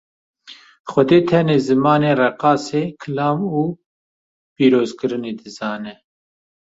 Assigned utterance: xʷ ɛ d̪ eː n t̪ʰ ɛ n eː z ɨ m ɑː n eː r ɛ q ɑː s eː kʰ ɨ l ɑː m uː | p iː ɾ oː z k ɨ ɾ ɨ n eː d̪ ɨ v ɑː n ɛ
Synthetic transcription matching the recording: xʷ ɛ d̪ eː t̪ʰ ɛ n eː z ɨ m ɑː n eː r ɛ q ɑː s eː kʰ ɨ l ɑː m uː | p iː ɾ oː z k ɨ ɾ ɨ n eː d̪ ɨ z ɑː n ɛ